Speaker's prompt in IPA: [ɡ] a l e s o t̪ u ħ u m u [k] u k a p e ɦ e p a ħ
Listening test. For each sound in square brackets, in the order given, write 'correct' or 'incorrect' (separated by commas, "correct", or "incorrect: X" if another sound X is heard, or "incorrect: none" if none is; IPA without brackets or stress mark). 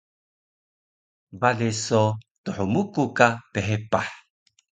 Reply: incorrect: b, correct